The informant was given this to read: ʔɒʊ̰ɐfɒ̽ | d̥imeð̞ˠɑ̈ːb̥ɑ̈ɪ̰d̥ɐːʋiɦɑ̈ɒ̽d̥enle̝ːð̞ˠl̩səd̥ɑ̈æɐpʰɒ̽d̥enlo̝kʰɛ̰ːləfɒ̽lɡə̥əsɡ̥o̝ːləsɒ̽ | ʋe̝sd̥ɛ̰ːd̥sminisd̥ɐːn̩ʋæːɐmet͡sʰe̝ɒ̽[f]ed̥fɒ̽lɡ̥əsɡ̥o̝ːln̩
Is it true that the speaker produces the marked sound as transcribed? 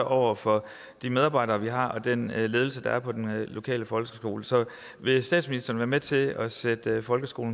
no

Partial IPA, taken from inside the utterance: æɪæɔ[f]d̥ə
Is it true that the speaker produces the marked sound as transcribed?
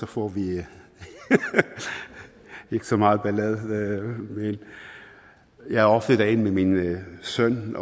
yes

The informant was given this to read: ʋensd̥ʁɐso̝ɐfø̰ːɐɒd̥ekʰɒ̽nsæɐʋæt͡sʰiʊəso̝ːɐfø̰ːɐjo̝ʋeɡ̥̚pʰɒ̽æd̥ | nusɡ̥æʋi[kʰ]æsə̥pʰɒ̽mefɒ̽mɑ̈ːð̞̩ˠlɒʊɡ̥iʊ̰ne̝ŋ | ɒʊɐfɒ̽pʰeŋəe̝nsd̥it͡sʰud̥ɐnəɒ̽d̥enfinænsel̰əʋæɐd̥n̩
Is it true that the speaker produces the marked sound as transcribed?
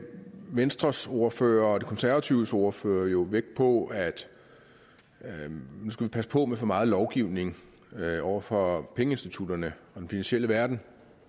no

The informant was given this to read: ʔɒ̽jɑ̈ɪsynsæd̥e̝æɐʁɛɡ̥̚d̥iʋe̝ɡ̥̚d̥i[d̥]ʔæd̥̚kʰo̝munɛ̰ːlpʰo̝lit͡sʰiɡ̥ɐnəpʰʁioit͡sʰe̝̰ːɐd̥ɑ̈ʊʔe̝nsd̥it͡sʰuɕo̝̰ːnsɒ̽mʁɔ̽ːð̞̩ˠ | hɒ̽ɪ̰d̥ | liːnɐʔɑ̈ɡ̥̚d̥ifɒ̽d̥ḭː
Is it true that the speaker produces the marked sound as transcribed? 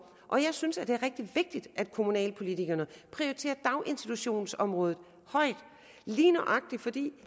yes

